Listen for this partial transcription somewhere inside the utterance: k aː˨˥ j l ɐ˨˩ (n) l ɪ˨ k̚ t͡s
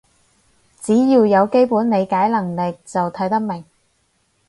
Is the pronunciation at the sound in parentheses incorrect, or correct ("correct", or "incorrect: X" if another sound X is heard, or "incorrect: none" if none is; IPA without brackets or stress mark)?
incorrect: ŋ